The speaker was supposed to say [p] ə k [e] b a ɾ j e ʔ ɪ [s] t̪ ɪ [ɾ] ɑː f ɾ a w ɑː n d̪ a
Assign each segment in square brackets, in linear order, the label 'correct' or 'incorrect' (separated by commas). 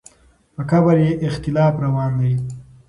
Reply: correct, incorrect, incorrect, incorrect